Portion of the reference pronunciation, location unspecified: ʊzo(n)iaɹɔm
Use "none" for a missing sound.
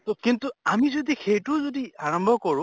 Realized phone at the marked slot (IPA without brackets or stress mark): d